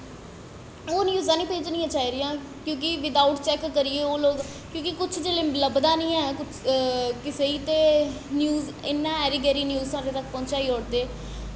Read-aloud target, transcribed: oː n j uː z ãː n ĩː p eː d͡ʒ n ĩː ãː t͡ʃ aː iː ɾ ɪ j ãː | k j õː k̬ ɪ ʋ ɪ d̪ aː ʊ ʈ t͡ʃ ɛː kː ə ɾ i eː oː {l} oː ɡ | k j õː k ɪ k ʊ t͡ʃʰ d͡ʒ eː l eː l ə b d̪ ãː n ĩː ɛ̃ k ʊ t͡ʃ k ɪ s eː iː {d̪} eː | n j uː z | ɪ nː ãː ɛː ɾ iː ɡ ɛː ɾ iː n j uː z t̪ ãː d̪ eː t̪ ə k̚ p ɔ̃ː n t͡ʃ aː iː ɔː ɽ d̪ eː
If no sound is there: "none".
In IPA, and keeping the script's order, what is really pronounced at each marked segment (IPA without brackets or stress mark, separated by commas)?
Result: l, t̪